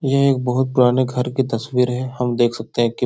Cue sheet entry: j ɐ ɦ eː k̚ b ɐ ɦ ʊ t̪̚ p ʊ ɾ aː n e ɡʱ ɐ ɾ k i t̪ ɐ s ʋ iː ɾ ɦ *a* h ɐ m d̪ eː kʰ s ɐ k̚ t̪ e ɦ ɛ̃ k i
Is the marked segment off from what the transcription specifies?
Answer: yes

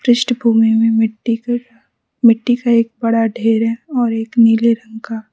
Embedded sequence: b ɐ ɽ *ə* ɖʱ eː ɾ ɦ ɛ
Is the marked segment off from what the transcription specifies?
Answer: yes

